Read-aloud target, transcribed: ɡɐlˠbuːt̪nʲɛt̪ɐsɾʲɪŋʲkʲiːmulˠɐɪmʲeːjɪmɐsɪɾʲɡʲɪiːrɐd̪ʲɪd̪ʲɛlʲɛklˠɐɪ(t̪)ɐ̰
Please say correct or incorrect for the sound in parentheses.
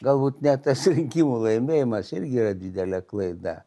incorrect